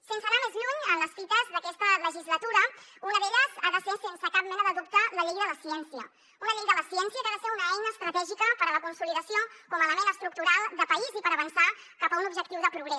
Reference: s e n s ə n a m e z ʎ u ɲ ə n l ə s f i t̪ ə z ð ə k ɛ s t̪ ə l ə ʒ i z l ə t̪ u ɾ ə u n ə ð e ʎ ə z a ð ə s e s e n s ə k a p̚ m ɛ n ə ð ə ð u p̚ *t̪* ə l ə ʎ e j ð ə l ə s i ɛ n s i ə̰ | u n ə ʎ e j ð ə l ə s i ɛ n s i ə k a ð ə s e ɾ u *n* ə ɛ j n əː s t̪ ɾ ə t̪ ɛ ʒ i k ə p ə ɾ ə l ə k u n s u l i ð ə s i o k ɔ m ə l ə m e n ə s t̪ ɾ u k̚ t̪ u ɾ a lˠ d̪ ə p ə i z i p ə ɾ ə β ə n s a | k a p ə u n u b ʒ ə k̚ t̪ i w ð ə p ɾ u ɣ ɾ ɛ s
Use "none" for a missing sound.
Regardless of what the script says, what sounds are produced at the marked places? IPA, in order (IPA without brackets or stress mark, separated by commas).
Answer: t̪, n